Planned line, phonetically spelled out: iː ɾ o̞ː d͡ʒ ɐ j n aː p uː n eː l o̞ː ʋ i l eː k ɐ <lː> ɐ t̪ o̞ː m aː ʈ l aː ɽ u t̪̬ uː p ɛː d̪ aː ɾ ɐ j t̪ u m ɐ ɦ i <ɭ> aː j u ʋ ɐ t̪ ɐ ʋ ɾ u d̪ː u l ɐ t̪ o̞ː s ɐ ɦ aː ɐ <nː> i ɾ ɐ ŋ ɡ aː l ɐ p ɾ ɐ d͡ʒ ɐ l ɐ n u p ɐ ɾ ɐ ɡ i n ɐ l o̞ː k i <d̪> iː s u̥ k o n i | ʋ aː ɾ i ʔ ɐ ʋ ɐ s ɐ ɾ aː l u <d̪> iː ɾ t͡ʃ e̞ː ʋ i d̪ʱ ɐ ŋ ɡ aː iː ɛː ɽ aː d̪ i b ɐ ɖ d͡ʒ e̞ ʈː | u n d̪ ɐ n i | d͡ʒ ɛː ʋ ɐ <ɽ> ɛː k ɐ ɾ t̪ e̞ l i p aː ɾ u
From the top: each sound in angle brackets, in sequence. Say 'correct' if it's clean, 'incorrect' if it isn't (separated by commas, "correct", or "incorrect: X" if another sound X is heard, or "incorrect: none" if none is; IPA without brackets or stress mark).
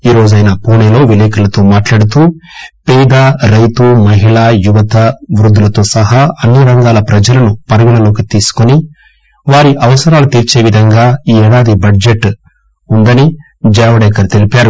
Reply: incorrect: l, correct, correct, incorrect: t̪, incorrect: t̪, correct